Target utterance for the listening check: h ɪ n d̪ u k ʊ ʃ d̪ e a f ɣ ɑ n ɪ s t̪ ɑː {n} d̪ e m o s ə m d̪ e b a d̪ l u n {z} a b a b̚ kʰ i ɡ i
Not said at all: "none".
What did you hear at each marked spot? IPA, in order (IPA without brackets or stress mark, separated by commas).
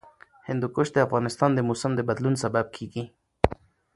n, s